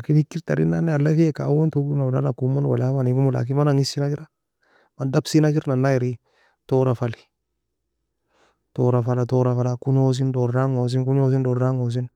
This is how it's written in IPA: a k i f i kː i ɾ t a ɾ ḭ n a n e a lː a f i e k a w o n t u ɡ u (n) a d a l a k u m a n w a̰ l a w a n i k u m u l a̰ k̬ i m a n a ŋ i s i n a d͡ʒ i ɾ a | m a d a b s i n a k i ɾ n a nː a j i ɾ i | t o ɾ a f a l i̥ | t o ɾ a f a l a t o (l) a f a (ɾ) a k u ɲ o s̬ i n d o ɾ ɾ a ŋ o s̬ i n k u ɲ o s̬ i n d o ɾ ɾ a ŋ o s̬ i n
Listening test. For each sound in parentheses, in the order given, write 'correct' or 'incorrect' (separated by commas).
correct, incorrect, incorrect